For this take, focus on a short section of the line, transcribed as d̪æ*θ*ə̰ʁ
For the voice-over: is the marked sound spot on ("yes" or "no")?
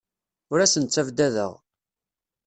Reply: no